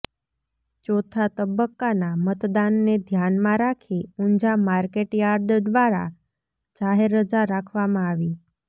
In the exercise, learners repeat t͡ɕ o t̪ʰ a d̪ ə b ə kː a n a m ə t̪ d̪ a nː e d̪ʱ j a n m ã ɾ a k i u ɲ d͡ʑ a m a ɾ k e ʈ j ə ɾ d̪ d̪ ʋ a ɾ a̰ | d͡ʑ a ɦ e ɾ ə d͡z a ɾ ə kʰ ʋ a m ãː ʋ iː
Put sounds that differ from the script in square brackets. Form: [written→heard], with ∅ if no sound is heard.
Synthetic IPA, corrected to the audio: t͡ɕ o t̪ʰ a [d̪→t̪] ə b ə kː a n a m ə t̪ d̪ a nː e d̪ʱ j a n m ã ɾ a [k→kʰ] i u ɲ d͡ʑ a m a ɾ k e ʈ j [ə→a] ɾ d̪ d̪ ʋ a ɾ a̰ | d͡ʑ a ɦ e ɾ ə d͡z a ɾ [ə→a] kʰ ʋ a m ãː ʋ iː